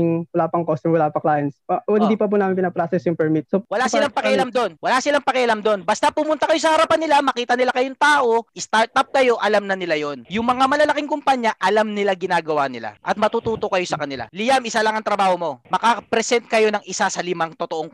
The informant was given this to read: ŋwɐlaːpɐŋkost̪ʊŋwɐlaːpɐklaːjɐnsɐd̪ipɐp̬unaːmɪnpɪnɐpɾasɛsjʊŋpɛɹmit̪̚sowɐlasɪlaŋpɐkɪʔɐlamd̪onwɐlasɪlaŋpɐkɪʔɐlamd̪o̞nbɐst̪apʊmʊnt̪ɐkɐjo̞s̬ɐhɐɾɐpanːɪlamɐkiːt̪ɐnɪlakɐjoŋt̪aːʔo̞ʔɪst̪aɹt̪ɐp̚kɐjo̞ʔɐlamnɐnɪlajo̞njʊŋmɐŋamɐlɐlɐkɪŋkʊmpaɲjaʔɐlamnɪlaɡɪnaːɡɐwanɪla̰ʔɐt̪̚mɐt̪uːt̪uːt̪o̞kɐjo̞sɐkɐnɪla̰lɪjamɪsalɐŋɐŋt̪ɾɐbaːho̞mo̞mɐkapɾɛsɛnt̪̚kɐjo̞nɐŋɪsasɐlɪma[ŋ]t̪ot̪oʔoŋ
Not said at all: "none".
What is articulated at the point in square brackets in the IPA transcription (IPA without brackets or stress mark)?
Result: ŋ